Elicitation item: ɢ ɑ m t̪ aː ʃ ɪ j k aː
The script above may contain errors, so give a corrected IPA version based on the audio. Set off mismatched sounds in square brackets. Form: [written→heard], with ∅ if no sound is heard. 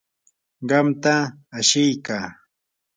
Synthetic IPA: ɢ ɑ m t̪ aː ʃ ɪ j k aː